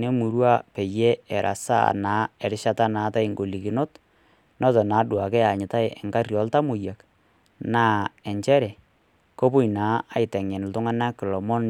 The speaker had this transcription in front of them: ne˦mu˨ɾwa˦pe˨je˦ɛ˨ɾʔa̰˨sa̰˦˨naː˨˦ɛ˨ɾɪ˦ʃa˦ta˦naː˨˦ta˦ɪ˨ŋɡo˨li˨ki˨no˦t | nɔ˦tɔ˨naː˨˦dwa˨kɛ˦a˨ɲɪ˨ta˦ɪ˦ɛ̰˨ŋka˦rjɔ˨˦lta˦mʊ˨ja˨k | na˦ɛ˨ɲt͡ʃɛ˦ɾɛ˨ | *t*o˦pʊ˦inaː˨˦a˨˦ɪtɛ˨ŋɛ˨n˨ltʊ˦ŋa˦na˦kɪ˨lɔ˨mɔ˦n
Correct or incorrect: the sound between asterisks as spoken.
incorrect: k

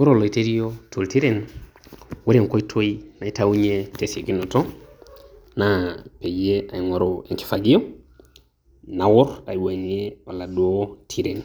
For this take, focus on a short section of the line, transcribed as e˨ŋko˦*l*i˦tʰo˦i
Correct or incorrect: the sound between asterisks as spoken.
incorrect: none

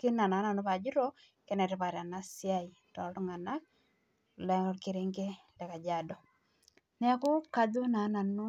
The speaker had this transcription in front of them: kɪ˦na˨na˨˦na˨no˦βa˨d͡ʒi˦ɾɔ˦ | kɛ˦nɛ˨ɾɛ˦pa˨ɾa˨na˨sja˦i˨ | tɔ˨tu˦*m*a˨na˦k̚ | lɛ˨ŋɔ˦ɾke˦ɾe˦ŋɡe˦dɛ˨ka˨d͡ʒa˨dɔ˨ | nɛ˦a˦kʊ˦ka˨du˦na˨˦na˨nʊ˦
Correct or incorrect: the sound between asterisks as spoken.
incorrect: ŋ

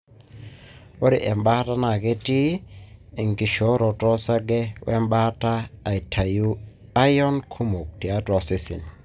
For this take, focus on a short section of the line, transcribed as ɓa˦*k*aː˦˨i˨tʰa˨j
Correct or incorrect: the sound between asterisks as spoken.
incorrect: t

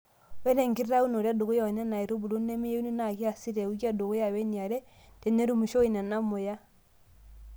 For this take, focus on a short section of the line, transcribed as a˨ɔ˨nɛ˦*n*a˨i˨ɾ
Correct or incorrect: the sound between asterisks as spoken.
correct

